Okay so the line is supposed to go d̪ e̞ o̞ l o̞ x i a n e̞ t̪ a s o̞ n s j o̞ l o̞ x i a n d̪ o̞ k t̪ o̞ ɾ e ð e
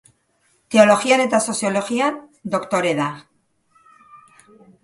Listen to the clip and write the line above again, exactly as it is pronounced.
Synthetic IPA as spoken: t̪ e̞ o̞ l o̞ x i a n e̞ t̪ a s o̞ s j o̞ l o̞ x i a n d̪ o̞ k t̪ o̞ ɾ e ð a